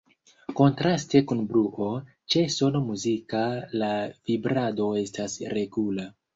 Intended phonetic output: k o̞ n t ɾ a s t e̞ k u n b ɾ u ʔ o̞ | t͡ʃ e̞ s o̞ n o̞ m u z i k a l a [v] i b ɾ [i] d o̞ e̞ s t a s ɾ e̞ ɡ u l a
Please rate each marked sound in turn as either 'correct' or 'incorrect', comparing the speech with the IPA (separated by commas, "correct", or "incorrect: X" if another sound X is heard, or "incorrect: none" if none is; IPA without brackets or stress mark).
correct, incorrect: a